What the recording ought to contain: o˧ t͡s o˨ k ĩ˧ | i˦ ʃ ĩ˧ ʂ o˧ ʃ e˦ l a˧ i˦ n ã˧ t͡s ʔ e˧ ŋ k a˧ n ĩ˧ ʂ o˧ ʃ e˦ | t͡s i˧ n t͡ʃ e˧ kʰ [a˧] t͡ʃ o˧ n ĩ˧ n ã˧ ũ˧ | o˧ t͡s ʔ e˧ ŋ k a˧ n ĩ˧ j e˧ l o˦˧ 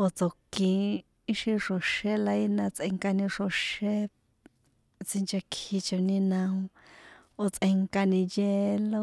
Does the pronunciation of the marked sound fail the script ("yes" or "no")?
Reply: yes